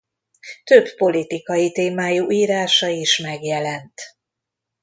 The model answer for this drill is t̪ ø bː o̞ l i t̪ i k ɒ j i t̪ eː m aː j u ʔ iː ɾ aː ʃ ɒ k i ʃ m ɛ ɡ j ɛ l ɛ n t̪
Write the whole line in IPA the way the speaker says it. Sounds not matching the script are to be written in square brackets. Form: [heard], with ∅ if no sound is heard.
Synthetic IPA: t̪ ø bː o̞ l i t̪ i k ɒ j i t̪ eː m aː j u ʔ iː ɾ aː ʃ ɒ [∅] i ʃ m ɛ ɡ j ɛ l ɛ n t̪